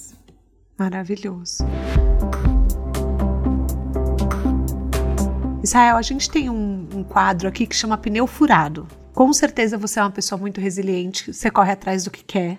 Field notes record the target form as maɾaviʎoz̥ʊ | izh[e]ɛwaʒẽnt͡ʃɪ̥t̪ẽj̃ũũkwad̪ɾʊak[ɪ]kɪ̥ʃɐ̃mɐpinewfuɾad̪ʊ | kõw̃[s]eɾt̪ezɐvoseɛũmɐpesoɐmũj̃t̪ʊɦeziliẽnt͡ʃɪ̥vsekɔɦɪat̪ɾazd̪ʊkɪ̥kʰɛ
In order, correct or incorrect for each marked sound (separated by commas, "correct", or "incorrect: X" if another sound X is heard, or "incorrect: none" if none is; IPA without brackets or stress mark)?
incorrect: a, incorrect: i, correct